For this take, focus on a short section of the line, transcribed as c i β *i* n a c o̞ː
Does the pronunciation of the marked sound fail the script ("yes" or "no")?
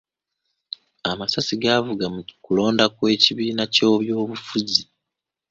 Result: yes